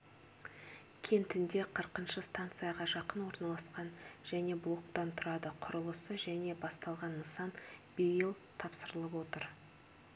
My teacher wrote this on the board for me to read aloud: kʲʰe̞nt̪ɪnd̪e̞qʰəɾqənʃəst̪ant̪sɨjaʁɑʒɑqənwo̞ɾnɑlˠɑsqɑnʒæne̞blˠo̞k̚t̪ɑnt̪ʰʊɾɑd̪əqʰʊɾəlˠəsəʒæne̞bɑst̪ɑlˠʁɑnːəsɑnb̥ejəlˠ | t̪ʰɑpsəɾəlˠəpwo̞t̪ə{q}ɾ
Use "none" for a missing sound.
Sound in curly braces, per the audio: none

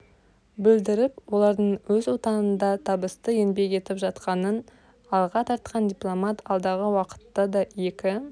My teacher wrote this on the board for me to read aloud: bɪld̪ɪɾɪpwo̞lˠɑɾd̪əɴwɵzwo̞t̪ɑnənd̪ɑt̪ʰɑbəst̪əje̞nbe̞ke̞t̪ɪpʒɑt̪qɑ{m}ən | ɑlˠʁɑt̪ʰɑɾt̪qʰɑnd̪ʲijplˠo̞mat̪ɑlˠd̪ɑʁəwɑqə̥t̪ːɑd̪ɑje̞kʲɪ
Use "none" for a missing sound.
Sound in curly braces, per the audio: n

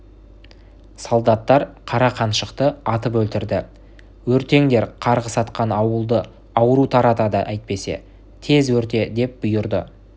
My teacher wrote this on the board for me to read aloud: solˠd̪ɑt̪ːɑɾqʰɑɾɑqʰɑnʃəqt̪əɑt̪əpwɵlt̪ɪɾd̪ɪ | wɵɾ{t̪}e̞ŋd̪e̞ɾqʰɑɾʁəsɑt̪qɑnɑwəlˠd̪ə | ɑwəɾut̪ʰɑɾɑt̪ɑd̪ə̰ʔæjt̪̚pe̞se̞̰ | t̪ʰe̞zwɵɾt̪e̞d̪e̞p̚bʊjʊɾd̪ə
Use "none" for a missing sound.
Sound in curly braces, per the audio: t̪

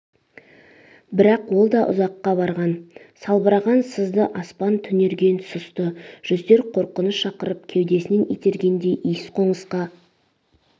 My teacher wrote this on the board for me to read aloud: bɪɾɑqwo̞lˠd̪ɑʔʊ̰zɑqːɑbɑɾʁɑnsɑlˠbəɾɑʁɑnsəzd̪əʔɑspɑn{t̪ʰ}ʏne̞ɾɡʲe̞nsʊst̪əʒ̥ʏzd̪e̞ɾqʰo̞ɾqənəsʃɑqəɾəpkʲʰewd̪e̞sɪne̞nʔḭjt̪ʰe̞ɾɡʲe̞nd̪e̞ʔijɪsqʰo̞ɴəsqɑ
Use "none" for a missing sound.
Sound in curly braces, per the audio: t̪ʰ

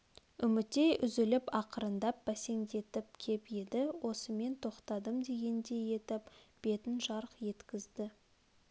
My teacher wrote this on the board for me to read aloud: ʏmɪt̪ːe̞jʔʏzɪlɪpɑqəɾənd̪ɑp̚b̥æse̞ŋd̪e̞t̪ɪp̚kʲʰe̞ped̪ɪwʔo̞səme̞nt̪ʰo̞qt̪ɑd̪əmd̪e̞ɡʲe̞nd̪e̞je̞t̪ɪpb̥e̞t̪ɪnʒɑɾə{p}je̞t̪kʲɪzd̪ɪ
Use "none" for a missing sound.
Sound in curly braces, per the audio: q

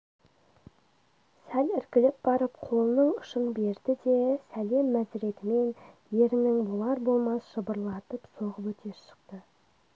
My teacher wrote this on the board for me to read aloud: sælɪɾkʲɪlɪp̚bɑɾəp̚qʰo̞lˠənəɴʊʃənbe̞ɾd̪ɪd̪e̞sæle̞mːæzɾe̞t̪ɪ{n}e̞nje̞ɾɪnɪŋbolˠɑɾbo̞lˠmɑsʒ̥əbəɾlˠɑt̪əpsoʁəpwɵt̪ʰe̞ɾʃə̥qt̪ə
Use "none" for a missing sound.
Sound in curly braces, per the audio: m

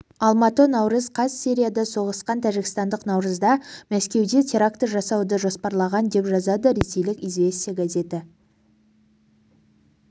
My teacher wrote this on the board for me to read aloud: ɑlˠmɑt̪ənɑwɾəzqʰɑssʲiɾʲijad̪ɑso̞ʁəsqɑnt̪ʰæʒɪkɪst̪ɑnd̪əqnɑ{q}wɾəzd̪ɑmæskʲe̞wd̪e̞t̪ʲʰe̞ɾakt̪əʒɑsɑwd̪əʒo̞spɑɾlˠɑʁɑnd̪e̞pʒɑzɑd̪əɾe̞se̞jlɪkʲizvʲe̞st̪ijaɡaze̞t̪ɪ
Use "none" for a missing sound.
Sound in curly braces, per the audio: none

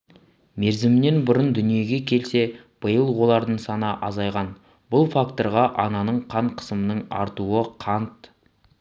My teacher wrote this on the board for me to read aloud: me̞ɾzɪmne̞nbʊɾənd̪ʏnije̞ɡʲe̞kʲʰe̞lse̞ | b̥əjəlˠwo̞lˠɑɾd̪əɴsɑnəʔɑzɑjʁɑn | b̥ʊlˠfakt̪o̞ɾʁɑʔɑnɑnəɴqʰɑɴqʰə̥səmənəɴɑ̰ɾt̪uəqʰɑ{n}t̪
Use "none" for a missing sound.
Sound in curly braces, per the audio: n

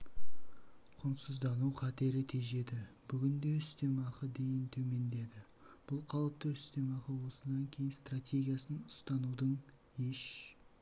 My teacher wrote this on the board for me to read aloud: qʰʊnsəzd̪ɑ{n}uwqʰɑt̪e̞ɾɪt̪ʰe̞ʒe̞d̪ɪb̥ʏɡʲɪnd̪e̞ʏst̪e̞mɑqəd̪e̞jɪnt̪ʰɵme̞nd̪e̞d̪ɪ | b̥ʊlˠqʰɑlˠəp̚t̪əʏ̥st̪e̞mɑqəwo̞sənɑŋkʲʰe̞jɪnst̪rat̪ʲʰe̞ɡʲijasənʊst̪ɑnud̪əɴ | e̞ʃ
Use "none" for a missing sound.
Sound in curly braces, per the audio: n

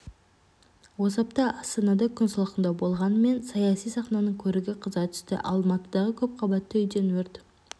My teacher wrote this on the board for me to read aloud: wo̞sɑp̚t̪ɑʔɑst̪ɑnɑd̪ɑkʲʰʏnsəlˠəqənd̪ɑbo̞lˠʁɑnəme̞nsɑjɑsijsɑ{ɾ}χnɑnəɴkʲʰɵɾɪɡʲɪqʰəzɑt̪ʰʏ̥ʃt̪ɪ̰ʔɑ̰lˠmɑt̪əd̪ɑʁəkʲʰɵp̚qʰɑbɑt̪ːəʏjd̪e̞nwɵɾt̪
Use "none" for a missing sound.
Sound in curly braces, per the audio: none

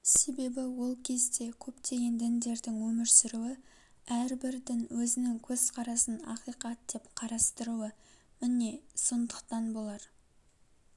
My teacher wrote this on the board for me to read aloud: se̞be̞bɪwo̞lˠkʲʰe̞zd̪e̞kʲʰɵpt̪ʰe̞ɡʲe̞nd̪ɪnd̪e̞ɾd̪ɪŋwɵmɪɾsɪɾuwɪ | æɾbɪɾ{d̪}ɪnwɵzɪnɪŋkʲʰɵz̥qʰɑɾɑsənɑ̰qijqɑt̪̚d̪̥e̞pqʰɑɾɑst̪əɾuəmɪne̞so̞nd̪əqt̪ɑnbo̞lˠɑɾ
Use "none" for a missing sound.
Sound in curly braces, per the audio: d̪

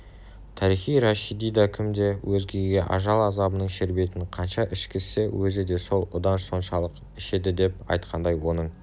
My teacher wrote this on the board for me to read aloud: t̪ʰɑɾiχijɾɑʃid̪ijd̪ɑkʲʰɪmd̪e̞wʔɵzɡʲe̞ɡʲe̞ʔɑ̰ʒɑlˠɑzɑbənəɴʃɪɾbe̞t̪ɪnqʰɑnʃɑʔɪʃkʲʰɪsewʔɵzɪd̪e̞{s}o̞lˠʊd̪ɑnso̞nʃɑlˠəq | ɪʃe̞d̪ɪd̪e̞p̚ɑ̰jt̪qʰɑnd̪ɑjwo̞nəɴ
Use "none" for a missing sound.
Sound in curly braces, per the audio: s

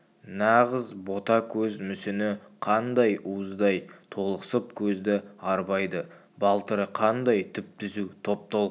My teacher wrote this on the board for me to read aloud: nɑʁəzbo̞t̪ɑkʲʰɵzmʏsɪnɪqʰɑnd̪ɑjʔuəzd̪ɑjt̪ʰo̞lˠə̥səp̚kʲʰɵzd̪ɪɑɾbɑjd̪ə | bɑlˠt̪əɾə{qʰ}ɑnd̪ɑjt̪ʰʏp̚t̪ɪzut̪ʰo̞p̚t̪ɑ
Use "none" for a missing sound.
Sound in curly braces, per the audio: qʰ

